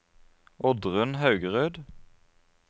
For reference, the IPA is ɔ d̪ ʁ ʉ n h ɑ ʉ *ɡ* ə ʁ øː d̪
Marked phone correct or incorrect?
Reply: correct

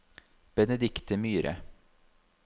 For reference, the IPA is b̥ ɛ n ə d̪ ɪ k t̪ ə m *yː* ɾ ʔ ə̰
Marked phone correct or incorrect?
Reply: correct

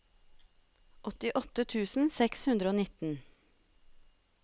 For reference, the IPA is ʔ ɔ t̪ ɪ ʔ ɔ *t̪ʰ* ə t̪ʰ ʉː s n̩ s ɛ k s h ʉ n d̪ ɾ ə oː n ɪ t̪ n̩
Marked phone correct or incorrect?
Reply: incorrect: t̪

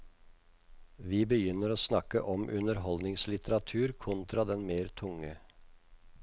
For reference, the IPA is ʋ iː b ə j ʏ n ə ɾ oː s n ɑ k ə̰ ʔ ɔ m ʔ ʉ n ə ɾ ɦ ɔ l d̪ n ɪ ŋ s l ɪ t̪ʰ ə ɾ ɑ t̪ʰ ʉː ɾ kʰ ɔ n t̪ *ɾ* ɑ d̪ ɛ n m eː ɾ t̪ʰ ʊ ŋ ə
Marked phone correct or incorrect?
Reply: correct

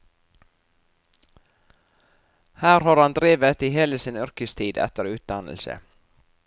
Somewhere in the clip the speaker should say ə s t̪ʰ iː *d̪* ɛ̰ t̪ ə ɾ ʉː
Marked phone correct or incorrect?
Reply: correct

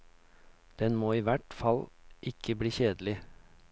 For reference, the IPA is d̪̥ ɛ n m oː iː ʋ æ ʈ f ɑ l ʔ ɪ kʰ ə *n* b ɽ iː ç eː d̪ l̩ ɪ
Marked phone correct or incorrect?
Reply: incorrect: none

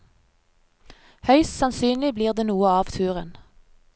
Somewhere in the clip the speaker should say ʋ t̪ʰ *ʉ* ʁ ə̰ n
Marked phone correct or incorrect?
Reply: incorrect: ʉː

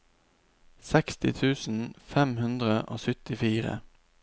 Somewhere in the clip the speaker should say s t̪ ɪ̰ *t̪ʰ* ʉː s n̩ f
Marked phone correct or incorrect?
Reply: correct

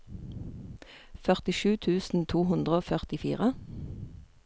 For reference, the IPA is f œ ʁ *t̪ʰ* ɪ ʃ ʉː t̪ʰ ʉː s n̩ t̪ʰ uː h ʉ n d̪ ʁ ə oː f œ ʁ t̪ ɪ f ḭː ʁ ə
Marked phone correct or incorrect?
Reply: incorrect: t̪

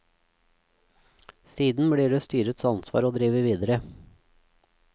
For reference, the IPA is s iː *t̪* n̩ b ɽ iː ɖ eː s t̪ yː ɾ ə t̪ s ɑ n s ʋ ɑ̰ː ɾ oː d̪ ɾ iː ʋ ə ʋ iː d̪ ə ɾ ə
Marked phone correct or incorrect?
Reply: incorrect: d̪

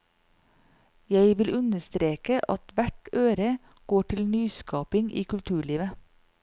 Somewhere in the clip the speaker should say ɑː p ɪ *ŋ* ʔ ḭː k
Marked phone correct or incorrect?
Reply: correct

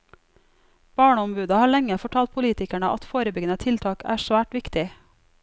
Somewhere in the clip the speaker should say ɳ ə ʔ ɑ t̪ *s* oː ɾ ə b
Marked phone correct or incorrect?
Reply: incorrect: f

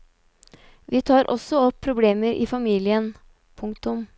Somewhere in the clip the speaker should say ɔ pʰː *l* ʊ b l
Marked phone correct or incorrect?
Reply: incorrect: ɾ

